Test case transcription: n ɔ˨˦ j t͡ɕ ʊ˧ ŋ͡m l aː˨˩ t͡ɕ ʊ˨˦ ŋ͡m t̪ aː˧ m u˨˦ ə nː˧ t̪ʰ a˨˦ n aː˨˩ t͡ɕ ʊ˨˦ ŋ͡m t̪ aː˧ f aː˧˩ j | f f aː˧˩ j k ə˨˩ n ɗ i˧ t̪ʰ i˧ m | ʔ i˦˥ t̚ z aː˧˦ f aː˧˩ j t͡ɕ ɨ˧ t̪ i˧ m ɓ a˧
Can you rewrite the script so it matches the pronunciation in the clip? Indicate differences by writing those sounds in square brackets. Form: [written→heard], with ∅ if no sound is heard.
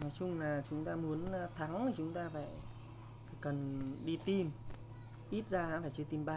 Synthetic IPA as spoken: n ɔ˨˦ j t͡ɕ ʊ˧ ŋ͡m l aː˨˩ t͡ɕ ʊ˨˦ ŋ͡m t̪ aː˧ m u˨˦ ə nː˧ t̪ʰ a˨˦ [n→ŋ] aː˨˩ t͡ɕ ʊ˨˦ ŋ͡m t̪ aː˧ f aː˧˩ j | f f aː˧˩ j k ə˨˩ n ɗ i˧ [t̪ʰ→t̪] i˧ m | ʔ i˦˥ t̚ z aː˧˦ f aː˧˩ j t͡ɕ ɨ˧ t̪ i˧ m ɓ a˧